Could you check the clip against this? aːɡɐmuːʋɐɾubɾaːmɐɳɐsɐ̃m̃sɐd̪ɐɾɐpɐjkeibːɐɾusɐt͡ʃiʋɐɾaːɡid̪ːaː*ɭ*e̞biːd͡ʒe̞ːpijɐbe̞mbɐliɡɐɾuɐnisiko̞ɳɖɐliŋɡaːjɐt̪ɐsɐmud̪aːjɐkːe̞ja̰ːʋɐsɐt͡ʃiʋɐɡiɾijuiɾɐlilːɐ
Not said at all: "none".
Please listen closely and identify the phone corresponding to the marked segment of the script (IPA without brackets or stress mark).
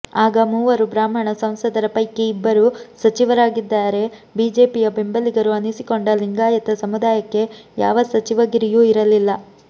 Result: ɾ